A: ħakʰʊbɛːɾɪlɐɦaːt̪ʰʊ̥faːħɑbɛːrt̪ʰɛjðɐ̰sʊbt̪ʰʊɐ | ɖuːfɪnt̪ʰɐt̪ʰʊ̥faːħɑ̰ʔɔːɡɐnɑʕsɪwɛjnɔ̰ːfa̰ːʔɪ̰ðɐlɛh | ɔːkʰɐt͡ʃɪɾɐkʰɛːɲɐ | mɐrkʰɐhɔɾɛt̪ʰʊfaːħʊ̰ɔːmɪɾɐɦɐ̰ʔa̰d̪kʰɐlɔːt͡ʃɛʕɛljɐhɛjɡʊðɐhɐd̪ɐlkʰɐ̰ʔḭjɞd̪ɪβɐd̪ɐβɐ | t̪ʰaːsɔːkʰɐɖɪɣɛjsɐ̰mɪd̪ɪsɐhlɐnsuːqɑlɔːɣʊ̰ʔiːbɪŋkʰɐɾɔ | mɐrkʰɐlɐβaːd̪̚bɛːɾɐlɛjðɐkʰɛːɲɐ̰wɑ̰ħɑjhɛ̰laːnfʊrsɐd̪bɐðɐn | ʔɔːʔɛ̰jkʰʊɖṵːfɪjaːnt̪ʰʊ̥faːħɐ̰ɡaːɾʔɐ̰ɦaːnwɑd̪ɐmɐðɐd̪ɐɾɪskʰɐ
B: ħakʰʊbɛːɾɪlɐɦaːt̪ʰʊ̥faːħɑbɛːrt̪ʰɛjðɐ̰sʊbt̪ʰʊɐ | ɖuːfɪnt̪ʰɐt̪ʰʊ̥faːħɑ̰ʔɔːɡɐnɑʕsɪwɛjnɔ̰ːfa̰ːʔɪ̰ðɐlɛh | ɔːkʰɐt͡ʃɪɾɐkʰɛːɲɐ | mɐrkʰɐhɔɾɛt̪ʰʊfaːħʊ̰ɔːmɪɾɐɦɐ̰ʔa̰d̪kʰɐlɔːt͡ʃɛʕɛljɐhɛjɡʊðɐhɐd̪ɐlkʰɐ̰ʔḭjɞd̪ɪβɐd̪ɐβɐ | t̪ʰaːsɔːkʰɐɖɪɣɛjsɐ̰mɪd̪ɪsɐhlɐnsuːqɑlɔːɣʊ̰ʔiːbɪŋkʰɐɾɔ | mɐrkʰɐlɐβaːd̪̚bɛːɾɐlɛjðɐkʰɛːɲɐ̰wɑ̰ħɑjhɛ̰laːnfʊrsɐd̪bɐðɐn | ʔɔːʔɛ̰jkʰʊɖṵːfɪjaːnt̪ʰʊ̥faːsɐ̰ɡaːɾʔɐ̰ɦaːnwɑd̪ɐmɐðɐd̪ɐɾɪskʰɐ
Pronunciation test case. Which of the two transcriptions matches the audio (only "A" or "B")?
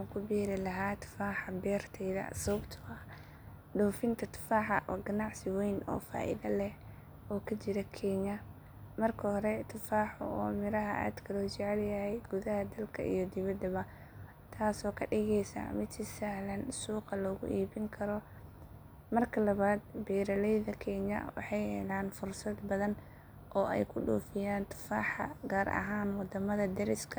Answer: A